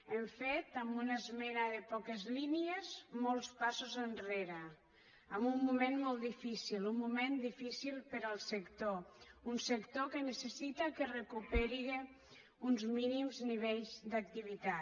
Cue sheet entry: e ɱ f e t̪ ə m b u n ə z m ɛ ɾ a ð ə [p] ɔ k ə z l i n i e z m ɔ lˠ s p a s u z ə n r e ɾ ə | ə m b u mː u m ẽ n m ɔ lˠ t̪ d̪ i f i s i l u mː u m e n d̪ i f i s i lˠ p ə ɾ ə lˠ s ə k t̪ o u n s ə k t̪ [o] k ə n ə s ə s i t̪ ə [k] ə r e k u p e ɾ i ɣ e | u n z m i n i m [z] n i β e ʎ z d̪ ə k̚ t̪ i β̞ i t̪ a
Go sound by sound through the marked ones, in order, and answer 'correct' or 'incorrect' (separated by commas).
correct, correct, correct, correct